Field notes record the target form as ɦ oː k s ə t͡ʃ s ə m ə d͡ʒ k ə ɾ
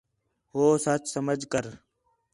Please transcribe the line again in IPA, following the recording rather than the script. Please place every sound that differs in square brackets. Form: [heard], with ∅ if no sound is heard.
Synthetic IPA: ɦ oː [∅] s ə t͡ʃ s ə m ə d͡ʒ k ə ɾ